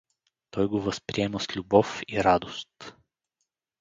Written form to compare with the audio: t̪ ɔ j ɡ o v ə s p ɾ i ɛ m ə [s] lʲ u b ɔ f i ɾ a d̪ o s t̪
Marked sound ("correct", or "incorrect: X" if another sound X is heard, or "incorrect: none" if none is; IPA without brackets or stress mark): correct